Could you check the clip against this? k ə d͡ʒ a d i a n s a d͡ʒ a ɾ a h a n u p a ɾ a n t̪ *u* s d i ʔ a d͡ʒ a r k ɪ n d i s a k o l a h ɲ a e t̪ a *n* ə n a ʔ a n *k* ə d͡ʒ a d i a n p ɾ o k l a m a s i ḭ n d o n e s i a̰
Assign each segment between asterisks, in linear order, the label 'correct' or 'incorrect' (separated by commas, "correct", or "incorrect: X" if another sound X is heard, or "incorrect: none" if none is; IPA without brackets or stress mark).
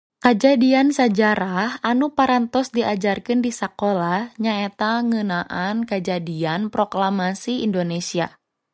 incorrect: ɔ, incorrect: ŋ, correct